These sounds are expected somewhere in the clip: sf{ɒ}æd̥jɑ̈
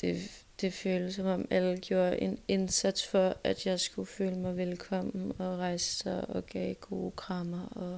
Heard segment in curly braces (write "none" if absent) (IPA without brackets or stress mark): ɒ